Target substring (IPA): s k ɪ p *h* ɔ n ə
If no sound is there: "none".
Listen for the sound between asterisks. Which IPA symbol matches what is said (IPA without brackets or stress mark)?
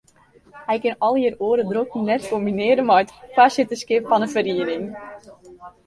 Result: f